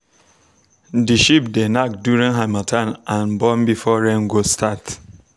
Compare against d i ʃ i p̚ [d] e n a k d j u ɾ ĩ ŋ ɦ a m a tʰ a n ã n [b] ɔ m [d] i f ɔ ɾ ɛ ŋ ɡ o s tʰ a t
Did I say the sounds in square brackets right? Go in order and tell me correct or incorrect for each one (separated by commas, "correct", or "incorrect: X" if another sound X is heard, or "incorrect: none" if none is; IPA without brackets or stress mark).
correct, correct, incorrect: b